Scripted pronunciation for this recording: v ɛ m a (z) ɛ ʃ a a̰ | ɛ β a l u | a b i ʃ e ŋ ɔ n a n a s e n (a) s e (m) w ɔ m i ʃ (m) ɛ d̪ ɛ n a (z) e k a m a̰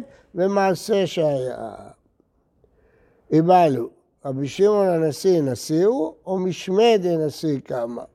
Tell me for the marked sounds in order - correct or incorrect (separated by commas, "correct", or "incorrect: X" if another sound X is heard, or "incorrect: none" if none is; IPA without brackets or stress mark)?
incorrect: s, correct, incorrect: none, correct, incorrect: s